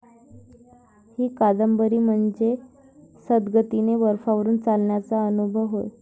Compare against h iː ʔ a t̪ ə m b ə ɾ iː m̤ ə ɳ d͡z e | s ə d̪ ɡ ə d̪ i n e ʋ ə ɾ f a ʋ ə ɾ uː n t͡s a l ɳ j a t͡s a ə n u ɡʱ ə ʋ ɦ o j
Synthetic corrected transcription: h iː k a d̪ ə m b ə ɾ iː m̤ ə ɳ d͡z e | s ə d̪ ɡ ə t̪ i n e ʋ ə ɾ f a ʋ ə ɾ uː n t͡s a l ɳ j a t͡s a ə n u bʱ ə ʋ ɦ o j